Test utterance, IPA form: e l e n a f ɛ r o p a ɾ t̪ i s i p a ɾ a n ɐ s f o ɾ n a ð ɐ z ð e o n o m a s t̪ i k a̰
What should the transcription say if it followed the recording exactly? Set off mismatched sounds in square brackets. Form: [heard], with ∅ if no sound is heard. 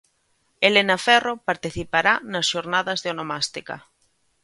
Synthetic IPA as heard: e l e n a f ɛ r o p a ɾ t̪ i [θ] i p a ɾ a n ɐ s [ʃ] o ɾ n a ð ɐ z ð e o n o m a s t̪ i k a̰